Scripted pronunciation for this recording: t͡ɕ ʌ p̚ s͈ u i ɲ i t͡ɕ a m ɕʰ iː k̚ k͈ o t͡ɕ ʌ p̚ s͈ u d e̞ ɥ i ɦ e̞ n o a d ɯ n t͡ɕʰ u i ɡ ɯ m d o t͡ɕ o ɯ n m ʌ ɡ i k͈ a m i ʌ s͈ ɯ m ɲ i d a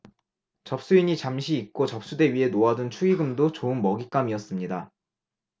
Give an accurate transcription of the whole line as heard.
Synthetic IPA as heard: t͡ɕ ʌ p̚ s͈ u i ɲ i t͡ɕ a m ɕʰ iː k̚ k͈ o t͡ɕ ʌ p̚ s͈ u d e̞ ɥ i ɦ e̞ n o a d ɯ n t͡ɕʰ u i ɡ ɯ m d o t͡ɕ o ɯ n m ʌ ɡ i k͈ a m i ʌ s͈ ɯ m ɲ i d a